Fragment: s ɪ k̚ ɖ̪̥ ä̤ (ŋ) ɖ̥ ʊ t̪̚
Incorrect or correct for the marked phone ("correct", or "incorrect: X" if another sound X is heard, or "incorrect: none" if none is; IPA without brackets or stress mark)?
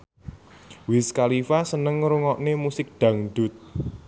correct